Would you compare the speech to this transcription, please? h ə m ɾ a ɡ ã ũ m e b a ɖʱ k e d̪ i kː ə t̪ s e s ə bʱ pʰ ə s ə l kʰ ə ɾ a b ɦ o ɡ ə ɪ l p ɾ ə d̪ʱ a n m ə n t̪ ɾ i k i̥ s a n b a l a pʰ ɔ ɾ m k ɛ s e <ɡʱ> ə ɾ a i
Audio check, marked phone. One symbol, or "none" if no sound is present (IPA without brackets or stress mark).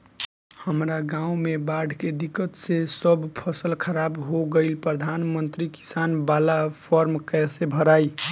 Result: bʱ